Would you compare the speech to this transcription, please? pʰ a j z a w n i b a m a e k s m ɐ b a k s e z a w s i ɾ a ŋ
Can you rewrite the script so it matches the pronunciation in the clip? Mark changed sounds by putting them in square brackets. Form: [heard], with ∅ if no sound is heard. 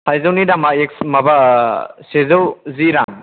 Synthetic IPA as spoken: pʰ a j z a w n i [d] a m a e k s m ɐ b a [∅] s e z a w [z] i ɾ a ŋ